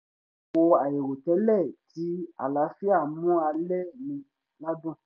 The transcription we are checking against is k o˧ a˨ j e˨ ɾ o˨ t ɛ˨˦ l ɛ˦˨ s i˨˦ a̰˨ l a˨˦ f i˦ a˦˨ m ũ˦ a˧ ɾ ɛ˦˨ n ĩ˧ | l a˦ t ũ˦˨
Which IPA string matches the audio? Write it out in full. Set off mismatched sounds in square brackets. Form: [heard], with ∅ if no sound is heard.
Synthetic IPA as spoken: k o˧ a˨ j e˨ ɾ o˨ t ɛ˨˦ l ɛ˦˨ [t] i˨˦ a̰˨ l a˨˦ f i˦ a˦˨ m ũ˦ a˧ [l] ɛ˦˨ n ĩ˧ | l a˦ [d] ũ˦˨